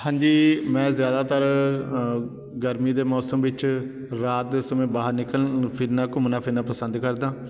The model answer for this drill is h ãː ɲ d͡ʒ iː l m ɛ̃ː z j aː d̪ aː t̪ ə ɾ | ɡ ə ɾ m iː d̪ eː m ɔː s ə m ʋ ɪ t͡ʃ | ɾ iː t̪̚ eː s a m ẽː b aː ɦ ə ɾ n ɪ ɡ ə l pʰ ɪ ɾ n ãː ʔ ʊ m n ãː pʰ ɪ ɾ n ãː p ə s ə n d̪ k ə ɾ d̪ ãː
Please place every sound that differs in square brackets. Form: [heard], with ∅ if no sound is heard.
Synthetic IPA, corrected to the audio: h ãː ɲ d͡ʒ iː [∅] m ɛ̃ː z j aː d̪ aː t̪ ə ɾ | ɡ ə ɾ m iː d̪ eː m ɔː s ə m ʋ ɪ t͡ʃ | ɾ [aː] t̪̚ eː s [ə] m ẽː b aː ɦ ə ɾ n ɪ [k] ə l pʰ ɪ ɾ n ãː [k] ʊ m n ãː pʰ ɪ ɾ n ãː p ə s ə n d̪ k ə ɾ d̪ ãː